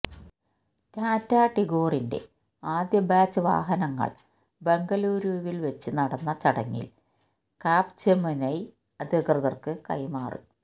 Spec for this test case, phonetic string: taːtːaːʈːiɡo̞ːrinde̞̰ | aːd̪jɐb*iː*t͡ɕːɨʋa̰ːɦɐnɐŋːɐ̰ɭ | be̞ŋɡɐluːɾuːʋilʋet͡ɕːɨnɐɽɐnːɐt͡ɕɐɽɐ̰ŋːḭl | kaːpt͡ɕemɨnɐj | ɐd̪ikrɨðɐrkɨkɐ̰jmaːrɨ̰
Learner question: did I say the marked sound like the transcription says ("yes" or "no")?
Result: no